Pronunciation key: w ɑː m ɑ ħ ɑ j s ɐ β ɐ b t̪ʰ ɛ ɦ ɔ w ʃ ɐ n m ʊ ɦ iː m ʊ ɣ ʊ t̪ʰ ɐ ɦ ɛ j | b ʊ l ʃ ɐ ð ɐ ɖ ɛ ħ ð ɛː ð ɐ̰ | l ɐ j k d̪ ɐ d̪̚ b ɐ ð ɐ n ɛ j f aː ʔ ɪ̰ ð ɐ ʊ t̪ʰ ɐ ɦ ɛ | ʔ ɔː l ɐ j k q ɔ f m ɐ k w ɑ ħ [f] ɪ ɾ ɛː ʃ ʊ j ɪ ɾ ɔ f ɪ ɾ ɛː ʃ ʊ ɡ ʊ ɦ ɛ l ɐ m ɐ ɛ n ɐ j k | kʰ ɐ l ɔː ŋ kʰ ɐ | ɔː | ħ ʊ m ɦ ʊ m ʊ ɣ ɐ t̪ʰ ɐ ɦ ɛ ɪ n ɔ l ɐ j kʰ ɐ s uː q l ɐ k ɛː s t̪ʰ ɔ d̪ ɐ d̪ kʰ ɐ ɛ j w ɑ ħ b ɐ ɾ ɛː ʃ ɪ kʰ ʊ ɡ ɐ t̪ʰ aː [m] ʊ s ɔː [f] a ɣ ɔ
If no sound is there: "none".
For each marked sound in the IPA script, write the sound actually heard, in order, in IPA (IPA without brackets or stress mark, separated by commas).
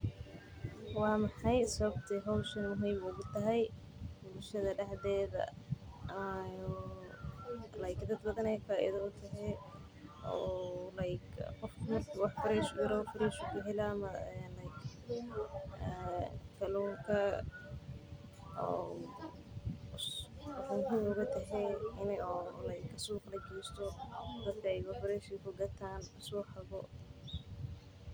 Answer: f, n, ħ